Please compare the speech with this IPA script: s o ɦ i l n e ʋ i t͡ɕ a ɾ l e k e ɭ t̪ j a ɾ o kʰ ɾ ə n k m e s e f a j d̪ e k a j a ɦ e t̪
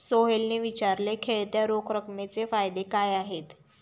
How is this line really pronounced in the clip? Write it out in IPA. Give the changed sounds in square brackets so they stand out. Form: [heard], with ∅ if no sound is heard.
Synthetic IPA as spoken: s o ɦ [e] l n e ʋ i t͡ɕ a ɾ l e [kʰ] e ɭ t̪ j a ɾ o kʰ ɾ ə [∅] k m e [t͡s] e f a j d̪ e k a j a ɦ e t̪